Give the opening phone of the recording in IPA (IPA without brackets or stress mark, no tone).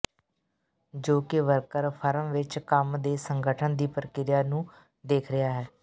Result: d͡ʒ